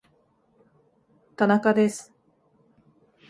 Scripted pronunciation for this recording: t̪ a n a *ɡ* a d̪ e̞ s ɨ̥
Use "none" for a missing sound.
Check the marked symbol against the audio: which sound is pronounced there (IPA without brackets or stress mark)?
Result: k